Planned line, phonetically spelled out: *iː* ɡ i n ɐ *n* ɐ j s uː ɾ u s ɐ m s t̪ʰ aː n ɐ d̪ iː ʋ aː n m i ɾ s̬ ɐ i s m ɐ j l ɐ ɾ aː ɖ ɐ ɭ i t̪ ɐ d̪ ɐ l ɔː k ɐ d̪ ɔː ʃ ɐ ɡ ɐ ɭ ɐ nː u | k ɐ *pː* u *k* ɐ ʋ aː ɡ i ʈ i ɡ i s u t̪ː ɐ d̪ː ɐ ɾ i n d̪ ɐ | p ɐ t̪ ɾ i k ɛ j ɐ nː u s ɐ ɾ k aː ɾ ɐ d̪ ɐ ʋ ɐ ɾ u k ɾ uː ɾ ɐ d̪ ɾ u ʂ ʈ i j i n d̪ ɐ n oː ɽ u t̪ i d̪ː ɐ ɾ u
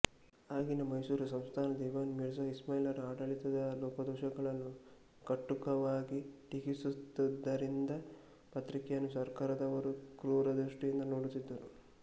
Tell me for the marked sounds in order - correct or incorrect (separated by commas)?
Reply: incorrect, incorrect, incorrect, correct